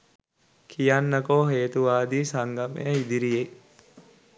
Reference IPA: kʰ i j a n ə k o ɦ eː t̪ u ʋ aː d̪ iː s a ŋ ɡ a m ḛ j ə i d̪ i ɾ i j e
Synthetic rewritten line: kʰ i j a nː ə k o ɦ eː t̪ u ʋ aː d̪ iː s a ŋ ɡ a m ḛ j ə i d̪ i ɾ i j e